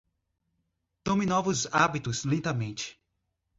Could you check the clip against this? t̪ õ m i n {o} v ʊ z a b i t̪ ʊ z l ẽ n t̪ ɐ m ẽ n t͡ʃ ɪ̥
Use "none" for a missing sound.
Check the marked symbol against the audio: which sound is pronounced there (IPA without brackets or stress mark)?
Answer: ɔ